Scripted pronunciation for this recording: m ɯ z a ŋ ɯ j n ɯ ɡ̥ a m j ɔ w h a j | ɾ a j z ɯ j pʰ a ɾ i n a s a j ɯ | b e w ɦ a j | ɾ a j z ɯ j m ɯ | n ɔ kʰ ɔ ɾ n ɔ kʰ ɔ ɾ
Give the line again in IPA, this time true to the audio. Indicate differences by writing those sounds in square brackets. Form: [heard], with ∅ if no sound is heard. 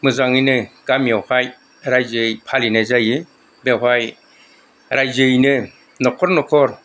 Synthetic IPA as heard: m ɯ z a ŋ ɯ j n ɯ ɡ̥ a m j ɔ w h a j | ɾ a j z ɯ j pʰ a [l] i n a [z] a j ɯ | b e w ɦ a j | ɾ a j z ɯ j [n] ɯ | n ɔ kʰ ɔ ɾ n ɔ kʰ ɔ ɾ